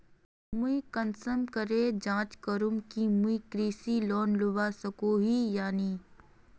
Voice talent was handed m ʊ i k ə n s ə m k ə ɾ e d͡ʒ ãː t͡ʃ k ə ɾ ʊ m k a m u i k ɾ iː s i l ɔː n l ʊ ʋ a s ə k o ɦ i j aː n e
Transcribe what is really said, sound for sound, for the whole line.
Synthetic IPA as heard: m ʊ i k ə n s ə m k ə ɾ e d͡ʒ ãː t͡ʃ k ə ɾ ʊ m k i m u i k ɾ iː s i l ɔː n l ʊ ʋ a s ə k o ɦ i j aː n i